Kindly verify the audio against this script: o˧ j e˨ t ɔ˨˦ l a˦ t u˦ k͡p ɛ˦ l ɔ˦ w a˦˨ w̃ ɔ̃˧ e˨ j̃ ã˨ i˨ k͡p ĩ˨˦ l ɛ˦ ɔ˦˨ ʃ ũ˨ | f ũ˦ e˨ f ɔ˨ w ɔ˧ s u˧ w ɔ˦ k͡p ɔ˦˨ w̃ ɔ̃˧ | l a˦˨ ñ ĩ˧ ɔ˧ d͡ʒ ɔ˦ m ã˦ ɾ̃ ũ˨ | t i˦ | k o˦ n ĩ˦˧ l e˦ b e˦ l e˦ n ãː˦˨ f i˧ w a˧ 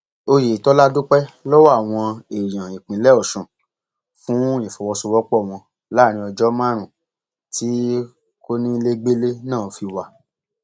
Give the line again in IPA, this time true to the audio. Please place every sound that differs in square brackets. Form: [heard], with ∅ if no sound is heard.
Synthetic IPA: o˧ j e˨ t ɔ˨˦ l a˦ [d] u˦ k͡p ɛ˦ l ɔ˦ w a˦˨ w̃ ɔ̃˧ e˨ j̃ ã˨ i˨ k͡p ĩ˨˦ l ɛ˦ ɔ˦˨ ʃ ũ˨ | f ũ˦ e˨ f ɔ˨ w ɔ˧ s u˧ w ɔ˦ k͡p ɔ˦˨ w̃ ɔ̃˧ | l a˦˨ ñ ĩ˧ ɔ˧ d͡ʒ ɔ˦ m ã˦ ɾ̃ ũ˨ | t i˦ | k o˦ n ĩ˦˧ l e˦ [ɡ͡b] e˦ l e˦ n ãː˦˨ f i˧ w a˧